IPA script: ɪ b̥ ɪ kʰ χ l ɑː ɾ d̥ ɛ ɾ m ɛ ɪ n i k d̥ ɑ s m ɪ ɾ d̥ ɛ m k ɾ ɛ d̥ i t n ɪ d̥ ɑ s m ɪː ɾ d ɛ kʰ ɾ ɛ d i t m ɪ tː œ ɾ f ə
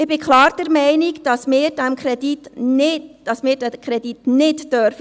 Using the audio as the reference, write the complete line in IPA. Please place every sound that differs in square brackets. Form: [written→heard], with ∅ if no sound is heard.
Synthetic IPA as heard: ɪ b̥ ɪ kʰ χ l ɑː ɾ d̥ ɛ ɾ m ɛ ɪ n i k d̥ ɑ s m [ɪ→ɪː] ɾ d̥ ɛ m k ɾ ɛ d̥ i t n ɪ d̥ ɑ s m ɪː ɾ d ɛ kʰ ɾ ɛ d i t [m→n] ɪ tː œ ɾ f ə

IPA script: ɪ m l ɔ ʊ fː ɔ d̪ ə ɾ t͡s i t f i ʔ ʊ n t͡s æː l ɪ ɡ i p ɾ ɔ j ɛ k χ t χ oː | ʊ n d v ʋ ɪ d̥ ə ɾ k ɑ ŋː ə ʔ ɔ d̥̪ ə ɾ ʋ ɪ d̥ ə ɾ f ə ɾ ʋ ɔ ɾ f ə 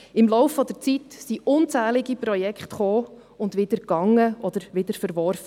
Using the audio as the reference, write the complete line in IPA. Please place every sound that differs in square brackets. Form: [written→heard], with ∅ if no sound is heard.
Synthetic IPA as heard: ɪ m l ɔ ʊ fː ɔ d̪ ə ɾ t͡s i t [f→s] i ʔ ʊ n t͡s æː l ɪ ɡ i p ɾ ɔ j ɛ k χ t χ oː | ʊ n d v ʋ ɪ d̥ ə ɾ k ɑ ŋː ə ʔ ɔ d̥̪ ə ɾ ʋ ɪ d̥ ə ɾ f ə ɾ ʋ ɔ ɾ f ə

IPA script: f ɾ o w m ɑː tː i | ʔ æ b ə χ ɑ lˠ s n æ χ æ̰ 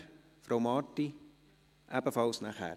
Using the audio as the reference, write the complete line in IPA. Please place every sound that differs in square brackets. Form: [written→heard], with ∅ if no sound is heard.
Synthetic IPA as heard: f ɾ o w m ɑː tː i | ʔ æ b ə [χ→f] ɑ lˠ s n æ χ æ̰

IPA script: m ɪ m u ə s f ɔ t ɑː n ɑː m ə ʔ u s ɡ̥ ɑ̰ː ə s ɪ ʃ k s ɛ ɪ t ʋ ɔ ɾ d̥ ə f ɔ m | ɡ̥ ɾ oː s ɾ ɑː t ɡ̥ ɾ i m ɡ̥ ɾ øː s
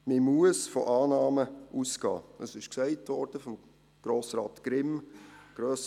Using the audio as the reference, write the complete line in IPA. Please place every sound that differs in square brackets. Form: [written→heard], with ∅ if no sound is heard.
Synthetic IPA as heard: m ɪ m u ə s f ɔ [t→ʔ] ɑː n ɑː m ə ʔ u s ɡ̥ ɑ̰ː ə s ɪ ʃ k s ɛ ɪ t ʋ ɔ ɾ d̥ ə f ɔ m | ɡ̥ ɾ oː s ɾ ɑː t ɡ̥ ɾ [i→ɪ] m ɡ̥ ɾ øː s

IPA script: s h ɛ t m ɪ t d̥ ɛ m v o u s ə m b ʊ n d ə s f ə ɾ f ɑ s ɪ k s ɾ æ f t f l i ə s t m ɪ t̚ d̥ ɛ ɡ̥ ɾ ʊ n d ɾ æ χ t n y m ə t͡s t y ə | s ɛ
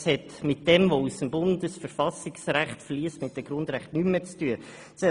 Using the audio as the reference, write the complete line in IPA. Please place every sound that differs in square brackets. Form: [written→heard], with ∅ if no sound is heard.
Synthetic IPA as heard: s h ɛ t m ɪ t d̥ ɛ m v o u s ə m b ʊ n d ə s f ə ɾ f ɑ s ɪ k s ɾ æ [f→χ] t f l i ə s t m ɪ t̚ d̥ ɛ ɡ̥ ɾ ʊ n d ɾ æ χ t n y m ə t͡s t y ə | s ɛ

